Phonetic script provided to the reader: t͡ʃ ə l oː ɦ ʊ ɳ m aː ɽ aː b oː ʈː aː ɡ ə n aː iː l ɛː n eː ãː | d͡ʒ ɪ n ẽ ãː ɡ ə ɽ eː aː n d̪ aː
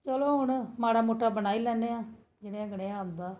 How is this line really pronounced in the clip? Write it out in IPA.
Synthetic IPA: t͡ʃ ə l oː ɦ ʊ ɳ m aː ɽ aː m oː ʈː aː b ə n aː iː l ɛː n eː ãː | d͡ʒ ɪ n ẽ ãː ɡ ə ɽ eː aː n d̪ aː